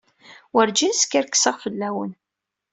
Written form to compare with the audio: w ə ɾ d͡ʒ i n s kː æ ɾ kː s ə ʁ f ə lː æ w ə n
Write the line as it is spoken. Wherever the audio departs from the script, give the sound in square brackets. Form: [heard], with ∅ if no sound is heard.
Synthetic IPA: w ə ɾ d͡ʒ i n s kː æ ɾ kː s ə ʁ f ə lː æ w ə n